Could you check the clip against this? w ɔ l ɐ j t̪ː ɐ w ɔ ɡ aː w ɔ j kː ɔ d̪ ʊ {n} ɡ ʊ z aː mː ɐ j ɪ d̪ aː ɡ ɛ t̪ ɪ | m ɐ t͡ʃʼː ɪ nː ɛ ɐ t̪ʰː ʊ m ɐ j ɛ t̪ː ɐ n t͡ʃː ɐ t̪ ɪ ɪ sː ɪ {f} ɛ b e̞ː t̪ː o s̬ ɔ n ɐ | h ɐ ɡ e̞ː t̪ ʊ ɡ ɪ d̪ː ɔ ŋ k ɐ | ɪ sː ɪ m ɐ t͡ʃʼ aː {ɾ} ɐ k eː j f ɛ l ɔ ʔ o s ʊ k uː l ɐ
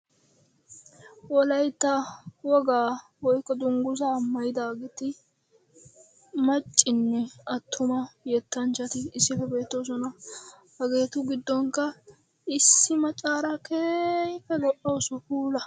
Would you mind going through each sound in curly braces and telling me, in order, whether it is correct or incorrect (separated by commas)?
incorrect, correct, correct